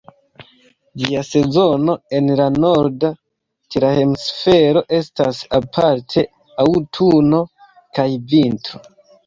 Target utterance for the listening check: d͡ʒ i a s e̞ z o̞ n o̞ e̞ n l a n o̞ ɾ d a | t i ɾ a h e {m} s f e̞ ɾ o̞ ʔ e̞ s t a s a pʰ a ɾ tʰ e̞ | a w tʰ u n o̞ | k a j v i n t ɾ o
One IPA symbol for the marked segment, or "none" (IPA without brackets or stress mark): m